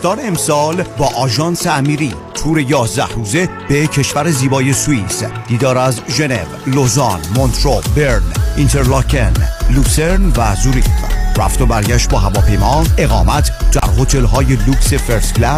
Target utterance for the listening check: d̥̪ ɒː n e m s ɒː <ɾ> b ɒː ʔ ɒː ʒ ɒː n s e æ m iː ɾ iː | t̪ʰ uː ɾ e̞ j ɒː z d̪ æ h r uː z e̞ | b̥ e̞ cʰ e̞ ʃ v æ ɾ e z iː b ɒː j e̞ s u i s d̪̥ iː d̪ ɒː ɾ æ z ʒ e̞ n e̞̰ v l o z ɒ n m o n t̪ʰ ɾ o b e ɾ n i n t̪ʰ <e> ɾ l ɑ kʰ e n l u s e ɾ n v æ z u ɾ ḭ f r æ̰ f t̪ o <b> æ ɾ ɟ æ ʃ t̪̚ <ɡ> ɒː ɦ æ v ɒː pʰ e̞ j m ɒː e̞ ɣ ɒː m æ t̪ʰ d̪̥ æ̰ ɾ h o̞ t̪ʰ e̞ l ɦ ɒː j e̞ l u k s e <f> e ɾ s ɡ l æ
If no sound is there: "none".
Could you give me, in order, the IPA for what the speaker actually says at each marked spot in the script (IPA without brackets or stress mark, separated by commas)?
l, e, b, b, f